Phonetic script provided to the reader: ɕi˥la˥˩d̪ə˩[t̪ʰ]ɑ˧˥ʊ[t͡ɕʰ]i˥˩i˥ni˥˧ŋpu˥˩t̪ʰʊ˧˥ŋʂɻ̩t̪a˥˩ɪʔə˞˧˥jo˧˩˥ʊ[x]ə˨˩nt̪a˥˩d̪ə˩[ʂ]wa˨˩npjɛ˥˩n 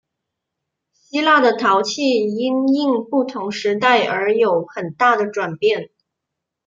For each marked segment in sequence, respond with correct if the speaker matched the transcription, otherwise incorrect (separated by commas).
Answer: correct, correct, correct, incorrect